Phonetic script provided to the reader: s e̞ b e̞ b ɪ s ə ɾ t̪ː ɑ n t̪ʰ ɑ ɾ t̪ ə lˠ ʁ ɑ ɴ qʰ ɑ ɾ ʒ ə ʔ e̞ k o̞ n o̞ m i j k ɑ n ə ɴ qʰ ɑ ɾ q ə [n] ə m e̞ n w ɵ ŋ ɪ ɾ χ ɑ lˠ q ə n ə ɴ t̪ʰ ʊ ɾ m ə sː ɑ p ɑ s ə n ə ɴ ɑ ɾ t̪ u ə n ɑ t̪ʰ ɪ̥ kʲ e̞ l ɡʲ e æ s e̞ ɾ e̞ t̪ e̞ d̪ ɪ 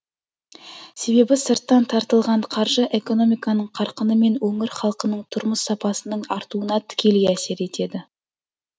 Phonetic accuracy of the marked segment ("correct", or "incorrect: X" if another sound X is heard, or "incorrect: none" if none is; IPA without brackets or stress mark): correct